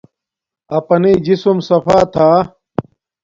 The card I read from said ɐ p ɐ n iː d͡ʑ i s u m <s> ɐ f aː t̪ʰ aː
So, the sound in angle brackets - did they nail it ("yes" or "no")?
yes